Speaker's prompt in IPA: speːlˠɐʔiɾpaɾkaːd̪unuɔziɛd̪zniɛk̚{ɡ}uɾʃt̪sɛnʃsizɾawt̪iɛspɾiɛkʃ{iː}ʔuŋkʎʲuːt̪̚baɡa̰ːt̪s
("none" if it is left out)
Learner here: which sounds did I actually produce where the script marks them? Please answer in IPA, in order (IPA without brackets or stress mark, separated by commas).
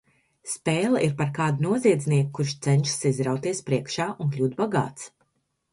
k, aː